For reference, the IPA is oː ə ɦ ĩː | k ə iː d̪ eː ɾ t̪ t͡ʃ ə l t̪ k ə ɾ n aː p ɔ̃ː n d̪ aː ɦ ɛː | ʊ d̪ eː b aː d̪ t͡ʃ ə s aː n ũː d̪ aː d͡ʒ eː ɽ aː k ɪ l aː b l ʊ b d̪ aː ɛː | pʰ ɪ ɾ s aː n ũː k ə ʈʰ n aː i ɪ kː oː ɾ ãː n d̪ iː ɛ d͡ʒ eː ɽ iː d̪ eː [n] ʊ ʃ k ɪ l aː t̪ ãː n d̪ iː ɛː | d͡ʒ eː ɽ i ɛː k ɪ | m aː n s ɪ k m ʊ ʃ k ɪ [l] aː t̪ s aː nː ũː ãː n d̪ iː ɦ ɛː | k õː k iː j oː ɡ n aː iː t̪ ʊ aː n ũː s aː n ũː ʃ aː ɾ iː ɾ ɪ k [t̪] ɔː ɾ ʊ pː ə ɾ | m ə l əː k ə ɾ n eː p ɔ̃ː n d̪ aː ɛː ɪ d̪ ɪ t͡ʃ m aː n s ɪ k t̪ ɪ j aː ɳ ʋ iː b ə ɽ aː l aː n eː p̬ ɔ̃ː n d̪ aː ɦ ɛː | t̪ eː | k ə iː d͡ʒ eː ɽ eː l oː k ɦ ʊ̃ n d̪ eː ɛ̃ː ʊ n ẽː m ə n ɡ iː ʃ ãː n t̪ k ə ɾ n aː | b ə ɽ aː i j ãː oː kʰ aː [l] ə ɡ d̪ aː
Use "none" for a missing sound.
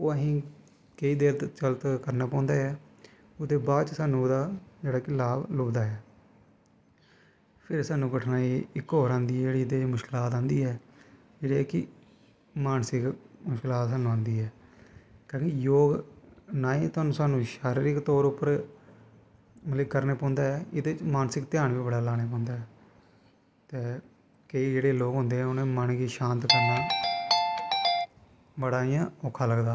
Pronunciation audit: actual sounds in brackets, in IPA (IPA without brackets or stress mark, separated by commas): m, l, t̪, l